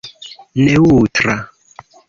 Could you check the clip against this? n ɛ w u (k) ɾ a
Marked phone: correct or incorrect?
incorrect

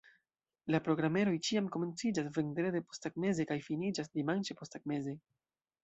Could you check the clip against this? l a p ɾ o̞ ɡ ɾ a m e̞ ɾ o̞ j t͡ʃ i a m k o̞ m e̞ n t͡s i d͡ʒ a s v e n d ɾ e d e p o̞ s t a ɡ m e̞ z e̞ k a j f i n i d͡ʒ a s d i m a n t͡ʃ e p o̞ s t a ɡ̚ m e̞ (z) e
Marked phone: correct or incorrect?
correct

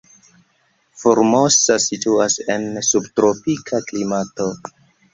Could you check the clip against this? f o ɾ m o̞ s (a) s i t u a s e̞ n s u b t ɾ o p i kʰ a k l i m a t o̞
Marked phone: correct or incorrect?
correct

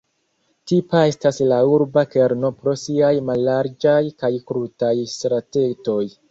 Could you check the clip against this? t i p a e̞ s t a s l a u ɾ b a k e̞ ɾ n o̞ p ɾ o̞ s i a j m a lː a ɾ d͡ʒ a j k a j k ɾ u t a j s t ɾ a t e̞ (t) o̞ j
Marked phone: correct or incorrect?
correct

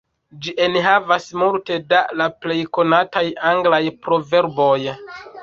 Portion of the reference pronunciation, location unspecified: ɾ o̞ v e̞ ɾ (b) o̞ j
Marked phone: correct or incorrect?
correct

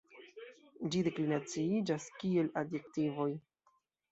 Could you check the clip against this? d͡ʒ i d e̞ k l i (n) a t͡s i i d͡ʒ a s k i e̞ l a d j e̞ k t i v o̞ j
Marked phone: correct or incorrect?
correct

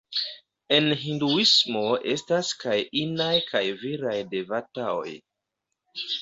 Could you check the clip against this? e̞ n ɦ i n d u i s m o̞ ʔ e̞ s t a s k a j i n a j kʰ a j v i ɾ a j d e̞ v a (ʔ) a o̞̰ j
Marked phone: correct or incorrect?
incorrect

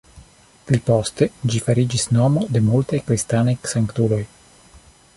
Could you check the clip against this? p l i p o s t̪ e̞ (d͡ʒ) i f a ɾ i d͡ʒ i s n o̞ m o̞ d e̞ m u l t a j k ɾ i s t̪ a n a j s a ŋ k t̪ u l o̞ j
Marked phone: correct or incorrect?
correct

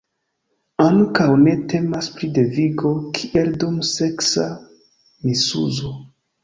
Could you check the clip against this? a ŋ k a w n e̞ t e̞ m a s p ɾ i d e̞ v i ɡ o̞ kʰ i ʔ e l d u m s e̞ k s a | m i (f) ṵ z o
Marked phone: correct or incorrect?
incorrect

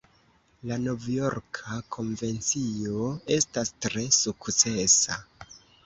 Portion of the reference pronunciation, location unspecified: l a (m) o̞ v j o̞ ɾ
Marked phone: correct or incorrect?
incorrect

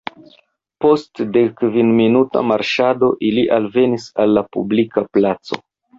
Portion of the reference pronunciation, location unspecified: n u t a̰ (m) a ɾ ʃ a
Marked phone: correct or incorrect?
correct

